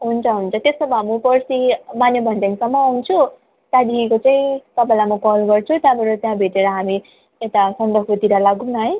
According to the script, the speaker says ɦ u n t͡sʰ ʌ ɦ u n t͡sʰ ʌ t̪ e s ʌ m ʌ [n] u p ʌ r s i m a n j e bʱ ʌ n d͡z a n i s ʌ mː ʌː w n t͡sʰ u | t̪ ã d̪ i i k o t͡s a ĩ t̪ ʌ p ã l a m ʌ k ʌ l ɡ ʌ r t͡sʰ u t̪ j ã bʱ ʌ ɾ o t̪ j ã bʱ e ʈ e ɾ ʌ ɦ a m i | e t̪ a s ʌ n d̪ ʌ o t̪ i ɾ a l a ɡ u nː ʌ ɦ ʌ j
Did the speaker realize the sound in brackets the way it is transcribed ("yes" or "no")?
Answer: no